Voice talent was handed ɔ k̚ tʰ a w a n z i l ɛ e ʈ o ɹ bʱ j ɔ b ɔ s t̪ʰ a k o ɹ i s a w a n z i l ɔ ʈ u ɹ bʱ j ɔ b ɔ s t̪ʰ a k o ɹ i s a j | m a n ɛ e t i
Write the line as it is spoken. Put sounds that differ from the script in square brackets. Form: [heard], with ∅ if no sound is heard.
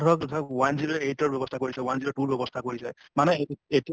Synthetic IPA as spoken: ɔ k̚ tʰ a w a n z i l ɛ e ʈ [ɔ] ɹ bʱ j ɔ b ɔ s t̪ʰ a k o ɹ i s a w a n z i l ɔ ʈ u ɹ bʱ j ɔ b ɔ s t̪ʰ a k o ɹ i s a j | m a n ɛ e t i